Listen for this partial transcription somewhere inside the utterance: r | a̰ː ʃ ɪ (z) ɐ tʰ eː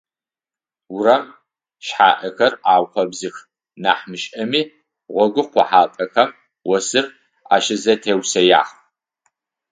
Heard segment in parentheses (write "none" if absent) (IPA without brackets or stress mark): z